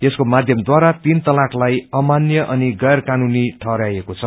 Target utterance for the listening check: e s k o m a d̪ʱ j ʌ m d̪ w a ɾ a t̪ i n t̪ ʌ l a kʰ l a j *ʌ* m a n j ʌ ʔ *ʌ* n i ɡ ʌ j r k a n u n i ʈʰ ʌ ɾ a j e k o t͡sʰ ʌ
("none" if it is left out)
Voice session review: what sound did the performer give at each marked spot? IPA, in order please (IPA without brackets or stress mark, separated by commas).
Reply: ʌ, ʌ